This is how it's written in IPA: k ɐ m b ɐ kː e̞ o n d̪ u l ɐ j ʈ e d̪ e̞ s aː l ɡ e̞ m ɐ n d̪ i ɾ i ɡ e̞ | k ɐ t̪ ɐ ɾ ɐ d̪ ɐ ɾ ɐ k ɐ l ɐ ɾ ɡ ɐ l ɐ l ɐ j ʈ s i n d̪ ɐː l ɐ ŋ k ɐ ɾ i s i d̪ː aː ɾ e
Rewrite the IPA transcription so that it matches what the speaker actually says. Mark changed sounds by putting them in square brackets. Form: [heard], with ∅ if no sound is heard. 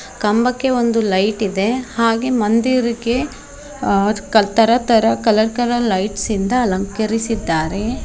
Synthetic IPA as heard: k ɐ m b ɐ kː e̞ o n d̪ u l ɐ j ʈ [i] d̪ e̞ [h] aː [∅] ɡ e̞ m ɐ n d̪ i ɾ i ɡ e̞ | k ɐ t̪ ɐ ɾ ɐ [t̪] ɐ ɾ ɐ k ɐ l ɐ ɾ [k] ɐ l ɐ l ɐ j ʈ s i n d̪ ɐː l ɐ ŋ k ɐ ɾ i s i d̪ː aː ɾ e